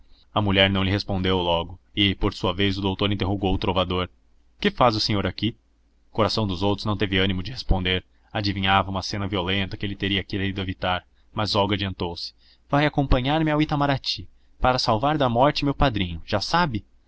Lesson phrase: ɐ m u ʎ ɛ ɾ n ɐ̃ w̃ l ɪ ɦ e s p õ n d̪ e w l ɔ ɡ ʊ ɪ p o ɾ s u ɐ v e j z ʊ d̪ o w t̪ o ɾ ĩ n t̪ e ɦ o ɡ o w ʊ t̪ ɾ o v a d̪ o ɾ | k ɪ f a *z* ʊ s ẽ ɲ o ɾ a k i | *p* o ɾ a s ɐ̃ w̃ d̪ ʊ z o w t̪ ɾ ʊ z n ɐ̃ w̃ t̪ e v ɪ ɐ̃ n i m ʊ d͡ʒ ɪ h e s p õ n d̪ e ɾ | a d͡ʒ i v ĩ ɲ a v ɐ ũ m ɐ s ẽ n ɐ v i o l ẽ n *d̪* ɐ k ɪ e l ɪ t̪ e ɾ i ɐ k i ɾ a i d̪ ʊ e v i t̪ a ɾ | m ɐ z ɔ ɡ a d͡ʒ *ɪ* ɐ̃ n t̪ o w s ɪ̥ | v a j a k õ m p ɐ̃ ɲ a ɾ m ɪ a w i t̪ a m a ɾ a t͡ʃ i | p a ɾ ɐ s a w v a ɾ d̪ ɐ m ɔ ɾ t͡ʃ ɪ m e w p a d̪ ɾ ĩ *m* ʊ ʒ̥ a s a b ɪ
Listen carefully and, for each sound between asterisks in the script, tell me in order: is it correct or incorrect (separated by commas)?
correct, incorrect, incorrect, incorrect, incorrect